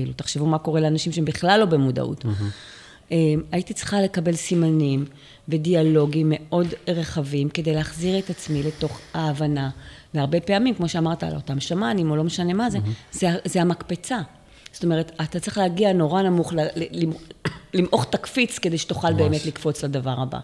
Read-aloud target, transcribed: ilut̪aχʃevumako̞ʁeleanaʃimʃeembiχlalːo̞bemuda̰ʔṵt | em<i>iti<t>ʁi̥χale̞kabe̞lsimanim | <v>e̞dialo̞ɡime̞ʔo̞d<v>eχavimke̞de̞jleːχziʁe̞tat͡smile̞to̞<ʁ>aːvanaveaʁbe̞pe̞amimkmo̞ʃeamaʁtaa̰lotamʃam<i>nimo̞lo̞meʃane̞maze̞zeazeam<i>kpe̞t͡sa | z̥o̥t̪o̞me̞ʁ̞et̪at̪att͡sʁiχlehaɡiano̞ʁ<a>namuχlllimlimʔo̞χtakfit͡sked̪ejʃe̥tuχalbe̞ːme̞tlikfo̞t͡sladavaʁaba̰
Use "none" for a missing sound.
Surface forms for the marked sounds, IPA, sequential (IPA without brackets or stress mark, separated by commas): a, t͡s, v, ʁ, χ, a, a, a